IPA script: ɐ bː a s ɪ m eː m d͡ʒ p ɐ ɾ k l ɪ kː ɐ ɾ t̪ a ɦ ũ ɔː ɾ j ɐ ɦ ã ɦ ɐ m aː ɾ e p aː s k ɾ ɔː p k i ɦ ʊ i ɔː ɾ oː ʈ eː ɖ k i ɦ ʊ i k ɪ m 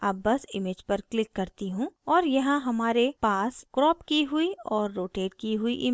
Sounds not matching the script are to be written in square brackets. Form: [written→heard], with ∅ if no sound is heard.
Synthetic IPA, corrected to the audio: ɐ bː [a→ɐ] s ɪ m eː [m→∅] d͡ʒ p ɐ ɾ k l ɪ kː ɐ ɾ t̪ [a→i] ɦ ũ ɔː ɾ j ɐ ɦ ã ɦ ɐ m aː ɾ e p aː s k ɾ ɔː p k i ɦ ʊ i ɔː [ɾ→ɾː] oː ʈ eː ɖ k i ɦ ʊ i [k→ʔ] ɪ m